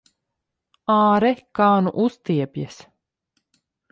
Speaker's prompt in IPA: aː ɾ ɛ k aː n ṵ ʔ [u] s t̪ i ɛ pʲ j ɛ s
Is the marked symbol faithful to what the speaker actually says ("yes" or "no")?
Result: yes